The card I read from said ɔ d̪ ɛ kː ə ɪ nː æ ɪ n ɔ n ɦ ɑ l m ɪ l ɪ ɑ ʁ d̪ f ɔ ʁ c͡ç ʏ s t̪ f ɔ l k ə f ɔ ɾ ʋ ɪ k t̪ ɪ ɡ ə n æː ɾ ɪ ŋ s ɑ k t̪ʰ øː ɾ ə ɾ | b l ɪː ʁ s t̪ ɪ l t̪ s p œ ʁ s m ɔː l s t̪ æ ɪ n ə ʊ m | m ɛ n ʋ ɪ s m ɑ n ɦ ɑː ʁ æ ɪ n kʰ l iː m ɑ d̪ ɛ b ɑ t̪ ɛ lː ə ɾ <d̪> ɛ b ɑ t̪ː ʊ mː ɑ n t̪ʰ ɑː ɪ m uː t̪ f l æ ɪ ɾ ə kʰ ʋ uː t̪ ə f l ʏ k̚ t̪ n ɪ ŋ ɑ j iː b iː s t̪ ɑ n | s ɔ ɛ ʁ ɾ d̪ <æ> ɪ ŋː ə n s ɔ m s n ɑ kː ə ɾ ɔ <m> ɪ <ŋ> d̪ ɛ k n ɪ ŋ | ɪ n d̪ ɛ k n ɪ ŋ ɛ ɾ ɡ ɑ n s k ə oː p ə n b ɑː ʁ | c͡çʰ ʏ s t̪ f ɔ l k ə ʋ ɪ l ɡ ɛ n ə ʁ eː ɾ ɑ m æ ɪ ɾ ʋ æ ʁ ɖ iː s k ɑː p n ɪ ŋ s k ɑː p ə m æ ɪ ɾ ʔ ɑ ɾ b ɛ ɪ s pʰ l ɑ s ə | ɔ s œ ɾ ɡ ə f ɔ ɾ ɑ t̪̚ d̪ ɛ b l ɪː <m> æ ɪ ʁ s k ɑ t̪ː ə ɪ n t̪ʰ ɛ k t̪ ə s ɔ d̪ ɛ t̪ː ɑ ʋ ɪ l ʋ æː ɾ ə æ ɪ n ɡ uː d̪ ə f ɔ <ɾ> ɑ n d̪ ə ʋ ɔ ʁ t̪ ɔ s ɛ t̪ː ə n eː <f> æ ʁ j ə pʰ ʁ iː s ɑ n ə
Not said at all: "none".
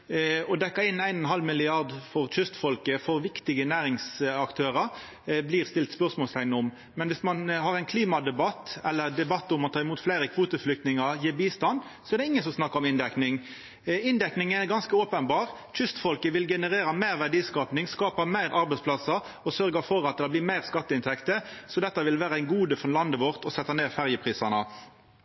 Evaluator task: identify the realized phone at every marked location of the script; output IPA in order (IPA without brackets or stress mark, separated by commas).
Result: d̪, ɛ, m, n, m, l, f